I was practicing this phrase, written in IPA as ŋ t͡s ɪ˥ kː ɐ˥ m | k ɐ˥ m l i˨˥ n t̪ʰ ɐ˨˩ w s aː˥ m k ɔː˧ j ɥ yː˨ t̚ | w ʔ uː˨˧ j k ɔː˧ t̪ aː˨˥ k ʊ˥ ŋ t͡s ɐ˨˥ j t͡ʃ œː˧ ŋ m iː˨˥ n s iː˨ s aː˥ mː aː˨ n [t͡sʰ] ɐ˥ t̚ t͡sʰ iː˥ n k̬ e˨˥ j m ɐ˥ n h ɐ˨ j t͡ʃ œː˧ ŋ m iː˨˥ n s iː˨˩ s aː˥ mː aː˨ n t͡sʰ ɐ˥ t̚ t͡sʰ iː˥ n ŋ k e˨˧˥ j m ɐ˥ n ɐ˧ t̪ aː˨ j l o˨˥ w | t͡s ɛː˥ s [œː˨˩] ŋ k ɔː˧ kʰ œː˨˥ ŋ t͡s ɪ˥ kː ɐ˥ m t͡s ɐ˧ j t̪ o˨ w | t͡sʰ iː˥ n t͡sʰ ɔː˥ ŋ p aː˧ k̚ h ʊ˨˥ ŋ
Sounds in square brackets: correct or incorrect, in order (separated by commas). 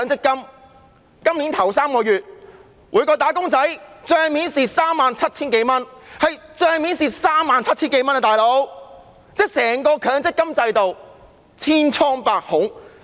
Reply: correct, incorrect